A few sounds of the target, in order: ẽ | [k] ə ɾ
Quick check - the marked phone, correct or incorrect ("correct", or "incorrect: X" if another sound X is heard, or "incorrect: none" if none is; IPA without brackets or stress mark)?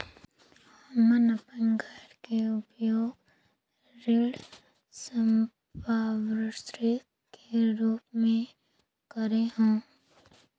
correct